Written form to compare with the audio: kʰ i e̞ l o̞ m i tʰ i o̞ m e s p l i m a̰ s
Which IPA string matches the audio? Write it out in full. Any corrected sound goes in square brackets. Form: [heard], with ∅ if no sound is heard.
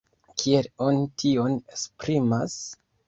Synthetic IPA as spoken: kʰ i e̞ l o̞ [n] i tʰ i o̞ [n] e s p [ɾ] i m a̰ s